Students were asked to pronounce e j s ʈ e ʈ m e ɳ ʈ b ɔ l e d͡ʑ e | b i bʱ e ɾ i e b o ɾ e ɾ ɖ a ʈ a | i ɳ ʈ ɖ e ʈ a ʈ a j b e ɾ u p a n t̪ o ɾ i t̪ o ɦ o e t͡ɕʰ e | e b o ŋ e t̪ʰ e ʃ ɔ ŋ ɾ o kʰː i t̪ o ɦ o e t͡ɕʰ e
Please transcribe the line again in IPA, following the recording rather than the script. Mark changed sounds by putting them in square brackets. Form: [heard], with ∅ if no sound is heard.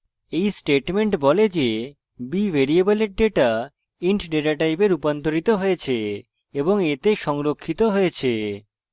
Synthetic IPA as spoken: e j s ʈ e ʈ m e ɳ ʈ b ɔ l e d͡ʑ e | b i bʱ e ɾ i e b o [l] e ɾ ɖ [e] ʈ a | i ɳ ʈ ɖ e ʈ a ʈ a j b e ɾ u p a n t̪ o ɾ i t̪ o ɦ o e t͡ɕʰ e | e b o ŋ e [t̪] e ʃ ɔ ŋ ɾ o kʰː i t̪ o ɦ o e t͡ɕʰ e